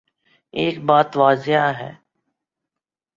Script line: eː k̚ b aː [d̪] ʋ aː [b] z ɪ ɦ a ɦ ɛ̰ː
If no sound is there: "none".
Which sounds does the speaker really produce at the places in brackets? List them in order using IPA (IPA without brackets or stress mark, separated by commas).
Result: t̪, none